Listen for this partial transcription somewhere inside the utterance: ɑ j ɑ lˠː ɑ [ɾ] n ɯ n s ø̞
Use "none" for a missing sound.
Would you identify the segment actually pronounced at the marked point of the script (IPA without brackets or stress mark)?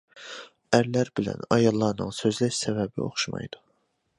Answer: ɾ